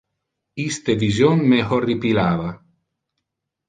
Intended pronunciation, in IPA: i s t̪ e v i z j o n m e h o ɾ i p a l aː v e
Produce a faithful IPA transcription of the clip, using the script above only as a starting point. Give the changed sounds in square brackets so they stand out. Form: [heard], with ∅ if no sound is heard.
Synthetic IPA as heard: i s t̪ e v i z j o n m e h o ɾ i p [i] l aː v [a]

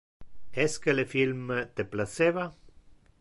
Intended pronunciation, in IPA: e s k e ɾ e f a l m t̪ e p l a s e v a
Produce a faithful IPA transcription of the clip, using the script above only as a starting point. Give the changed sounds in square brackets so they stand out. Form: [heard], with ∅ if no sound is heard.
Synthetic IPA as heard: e s k e [l] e f [i] l m t̪ e p l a s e [β] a

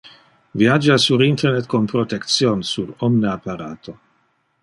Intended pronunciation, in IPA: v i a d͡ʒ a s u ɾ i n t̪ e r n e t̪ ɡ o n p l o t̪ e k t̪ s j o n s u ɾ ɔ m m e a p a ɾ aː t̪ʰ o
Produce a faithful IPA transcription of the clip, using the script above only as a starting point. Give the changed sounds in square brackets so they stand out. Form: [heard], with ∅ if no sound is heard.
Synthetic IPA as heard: v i a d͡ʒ a s u ɾ i n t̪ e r n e t̪ [k] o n p [ɾ] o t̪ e k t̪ s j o n s u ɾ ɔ m [n] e a p a ɾ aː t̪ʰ o

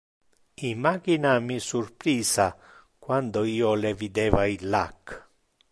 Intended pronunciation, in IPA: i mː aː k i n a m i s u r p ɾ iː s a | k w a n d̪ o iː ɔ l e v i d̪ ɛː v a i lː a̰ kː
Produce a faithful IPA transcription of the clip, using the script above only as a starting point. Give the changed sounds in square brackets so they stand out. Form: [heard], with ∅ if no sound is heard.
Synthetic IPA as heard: i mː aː k i n a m i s u r p ɾ iː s a | k w a n d̪ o iː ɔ l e v i d̪ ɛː v a i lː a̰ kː

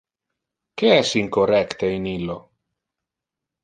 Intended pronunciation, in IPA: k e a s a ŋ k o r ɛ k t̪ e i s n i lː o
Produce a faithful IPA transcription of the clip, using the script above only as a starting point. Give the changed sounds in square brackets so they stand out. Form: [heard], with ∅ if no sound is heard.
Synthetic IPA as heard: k e [ɛ] s [i] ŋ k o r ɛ k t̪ e i [∅] n i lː o

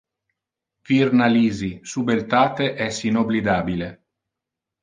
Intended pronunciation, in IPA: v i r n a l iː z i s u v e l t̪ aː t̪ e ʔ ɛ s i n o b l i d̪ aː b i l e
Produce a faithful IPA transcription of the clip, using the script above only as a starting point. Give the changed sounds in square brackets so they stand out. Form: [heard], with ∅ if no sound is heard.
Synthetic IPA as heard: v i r n a l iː z i s u [b] e l t̪ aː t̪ e ʔ ɛ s i n o b l i d̪ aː b i l e

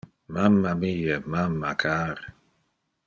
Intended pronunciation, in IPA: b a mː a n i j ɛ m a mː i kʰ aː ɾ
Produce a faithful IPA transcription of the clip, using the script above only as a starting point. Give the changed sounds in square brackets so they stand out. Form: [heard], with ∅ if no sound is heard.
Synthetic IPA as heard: [m] a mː a [m] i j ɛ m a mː [a] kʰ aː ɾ

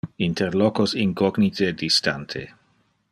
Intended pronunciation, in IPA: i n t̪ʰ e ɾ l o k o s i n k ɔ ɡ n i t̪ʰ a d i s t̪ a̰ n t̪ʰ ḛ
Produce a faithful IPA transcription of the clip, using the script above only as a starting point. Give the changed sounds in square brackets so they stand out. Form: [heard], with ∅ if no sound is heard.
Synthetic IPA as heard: i n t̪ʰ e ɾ l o k o s i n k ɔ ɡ n i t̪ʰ [e] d i s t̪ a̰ n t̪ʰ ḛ

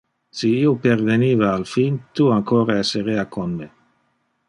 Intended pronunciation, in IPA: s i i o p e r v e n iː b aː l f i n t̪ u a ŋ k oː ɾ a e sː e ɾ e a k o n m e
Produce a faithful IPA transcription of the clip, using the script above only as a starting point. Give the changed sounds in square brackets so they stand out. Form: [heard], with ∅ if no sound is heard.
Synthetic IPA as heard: s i i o p e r v e n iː [v] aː l f i n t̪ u a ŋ k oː ɾ a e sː e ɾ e a k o n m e

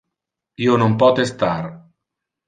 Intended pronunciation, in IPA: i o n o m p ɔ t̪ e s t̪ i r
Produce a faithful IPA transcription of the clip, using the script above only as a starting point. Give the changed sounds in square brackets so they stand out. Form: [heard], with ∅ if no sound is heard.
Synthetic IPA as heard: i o n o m p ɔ t̪ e s t̪ [a] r

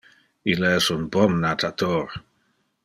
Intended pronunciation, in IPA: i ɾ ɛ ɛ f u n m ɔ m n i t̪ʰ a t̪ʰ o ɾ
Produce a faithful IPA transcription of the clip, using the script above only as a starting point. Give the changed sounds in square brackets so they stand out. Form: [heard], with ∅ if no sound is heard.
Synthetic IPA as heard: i [l] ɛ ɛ [s] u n [b] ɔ m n [a] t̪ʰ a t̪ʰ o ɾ

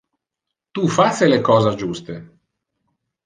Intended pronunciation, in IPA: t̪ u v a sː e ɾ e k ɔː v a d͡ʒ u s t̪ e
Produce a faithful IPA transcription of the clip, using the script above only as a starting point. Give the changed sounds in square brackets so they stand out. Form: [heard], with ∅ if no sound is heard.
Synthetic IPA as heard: t̪ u [f] a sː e [l] e k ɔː [z] a d͡ʒ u s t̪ e

